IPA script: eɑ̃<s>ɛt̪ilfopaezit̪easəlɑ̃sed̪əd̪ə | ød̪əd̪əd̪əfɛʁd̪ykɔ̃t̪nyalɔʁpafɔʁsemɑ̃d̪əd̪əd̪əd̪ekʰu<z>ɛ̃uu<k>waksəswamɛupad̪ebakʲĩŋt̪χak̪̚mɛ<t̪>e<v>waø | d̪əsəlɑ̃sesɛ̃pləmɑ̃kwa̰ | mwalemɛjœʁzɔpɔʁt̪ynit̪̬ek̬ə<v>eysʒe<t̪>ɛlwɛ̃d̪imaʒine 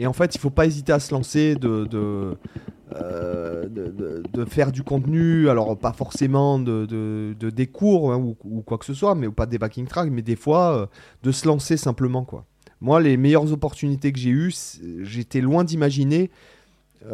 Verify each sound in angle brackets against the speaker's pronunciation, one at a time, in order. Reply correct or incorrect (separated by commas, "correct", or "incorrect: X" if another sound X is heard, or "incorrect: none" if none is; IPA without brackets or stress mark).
incorrect: f, incorrect: ʁ, correct, incorrect: d̪, incorrect: f, incorrect: ʒ, correct